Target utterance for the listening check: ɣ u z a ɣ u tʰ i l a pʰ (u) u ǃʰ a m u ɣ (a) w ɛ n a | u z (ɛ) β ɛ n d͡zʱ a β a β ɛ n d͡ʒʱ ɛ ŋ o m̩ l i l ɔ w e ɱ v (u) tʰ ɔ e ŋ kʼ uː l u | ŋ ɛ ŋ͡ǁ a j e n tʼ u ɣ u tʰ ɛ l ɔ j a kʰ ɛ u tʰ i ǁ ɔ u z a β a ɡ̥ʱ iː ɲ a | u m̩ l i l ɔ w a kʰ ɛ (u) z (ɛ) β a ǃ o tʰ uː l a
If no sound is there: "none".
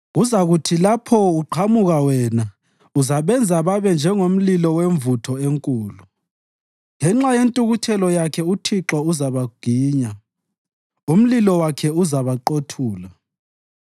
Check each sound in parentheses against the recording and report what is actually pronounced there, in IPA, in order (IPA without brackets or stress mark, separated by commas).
ɔ, a, a, u, u, a